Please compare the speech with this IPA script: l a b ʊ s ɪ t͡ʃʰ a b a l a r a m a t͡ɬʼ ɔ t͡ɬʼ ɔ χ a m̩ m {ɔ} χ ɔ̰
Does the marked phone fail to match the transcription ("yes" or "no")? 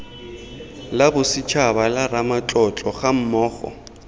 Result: yes